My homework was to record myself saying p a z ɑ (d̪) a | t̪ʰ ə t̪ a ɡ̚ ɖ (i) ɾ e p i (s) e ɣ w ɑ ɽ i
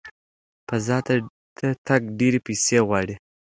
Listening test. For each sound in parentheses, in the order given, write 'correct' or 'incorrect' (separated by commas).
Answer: incorrect, incorrect, correct